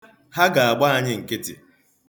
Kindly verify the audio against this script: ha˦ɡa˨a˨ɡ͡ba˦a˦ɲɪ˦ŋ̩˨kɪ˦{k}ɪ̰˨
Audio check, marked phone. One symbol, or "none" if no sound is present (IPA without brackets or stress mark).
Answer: t